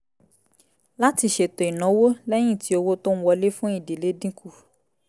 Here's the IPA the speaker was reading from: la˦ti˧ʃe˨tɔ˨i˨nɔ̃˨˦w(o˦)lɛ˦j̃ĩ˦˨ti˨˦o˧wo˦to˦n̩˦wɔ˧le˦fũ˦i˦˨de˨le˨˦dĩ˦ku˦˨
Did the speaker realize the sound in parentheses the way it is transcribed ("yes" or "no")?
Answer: yes